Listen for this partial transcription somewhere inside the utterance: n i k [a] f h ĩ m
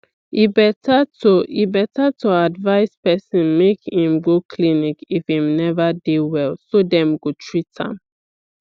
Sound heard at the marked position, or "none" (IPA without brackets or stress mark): i